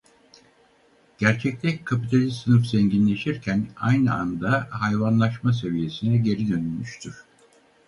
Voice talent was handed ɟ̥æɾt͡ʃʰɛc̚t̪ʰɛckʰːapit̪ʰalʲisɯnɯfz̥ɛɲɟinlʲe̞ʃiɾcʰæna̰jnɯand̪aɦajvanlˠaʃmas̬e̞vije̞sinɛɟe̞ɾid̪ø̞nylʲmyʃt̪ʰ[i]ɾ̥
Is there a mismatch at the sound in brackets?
yes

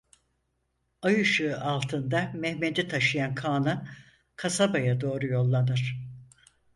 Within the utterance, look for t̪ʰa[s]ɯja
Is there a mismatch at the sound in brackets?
yes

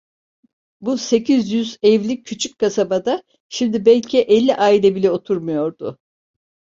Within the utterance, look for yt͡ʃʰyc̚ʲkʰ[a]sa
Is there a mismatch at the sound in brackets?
no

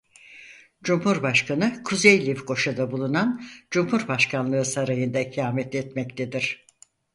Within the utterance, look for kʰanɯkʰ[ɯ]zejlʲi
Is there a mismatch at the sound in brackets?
yes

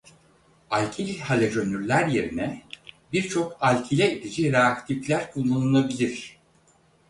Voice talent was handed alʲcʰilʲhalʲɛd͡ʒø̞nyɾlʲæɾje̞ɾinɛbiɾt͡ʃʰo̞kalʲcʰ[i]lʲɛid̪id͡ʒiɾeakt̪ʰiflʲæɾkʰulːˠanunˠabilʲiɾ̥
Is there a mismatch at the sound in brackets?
no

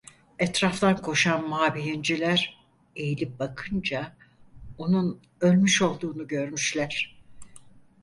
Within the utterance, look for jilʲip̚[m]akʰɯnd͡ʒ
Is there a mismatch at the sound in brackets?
yes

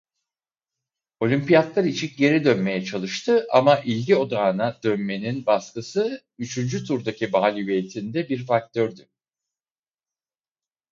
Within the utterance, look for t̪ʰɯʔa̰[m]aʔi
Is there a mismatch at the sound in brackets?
no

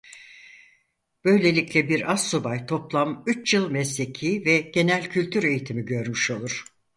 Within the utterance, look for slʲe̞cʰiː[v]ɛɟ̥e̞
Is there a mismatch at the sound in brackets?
no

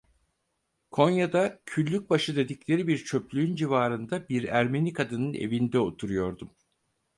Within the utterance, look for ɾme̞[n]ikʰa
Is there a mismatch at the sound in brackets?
no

